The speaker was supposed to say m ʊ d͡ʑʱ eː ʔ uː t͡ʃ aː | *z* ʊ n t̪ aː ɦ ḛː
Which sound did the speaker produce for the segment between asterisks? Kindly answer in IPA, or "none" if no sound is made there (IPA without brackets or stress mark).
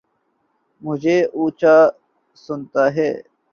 s